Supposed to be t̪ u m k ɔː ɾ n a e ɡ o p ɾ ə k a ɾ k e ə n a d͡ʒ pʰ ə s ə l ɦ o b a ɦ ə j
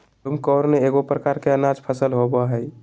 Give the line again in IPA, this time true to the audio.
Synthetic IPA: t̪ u m k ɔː ɾ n e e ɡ o p ɾ ə k a ɾ k e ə n a d͡ʒ pʰ ə s ə l ɦ o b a ɦ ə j